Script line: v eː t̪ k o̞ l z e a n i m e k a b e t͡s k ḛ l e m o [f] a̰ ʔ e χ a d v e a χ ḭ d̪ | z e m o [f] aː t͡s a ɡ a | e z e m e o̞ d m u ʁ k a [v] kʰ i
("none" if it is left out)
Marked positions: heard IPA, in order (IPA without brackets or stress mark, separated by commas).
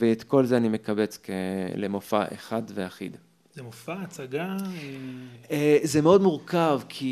f, f, v